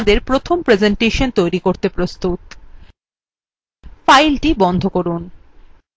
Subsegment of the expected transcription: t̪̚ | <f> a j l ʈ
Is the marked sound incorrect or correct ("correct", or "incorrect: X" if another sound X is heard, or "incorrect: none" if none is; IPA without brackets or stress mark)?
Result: correct